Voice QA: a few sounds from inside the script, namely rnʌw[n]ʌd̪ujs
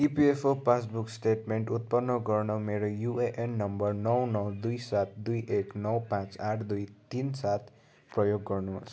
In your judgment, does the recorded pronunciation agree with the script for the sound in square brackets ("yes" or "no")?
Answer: yes